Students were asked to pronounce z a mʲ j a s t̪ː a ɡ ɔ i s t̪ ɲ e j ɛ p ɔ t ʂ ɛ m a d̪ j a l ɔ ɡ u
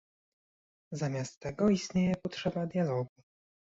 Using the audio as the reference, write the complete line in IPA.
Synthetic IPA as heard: z a mʲ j a s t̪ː ɛ ɡ ɔ i s t̪ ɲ e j ɛ p ɔ t ʂ ɛ b a d̪ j a l ɔ ɡ u